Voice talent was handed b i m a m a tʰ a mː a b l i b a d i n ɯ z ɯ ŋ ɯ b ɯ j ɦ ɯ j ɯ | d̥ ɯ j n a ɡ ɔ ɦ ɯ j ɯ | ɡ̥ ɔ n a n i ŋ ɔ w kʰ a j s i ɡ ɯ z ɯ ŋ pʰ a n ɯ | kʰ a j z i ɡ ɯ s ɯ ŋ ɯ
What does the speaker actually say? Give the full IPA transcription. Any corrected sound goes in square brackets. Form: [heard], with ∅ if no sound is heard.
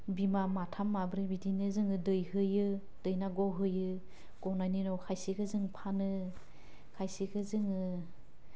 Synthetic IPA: b i m a m a tʰ a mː a b [ɾ] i b [i] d i n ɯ z ɯ ŋ ɯ [d] ɯ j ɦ ɯ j ɯ | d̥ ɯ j n a ɡ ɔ ɦ ɯ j ɯ | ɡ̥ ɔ n a n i [n] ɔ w kʰ a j s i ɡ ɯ z ɯ ŋ pʰ a n ɯ | kʰ a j [s] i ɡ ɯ [z] ɯ ŋ ɯ